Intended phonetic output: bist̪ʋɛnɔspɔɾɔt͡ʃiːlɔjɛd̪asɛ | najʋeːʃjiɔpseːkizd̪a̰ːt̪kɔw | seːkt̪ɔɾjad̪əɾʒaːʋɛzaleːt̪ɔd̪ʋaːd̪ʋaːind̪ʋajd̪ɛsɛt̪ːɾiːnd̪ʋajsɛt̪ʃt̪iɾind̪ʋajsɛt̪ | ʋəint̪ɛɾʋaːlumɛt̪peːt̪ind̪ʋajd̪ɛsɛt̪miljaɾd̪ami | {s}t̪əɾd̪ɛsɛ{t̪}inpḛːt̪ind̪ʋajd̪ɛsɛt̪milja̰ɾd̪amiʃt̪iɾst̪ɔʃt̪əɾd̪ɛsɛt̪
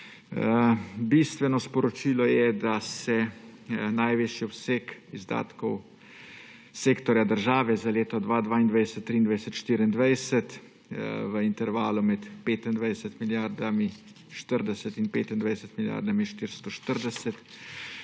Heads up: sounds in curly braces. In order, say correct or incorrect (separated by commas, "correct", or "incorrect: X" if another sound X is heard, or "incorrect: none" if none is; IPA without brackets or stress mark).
incorrect: ʃ, correct